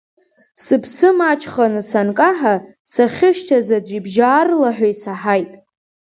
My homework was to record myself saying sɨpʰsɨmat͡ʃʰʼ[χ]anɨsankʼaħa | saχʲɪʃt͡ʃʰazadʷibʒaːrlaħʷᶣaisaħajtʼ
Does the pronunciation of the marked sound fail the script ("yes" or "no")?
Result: no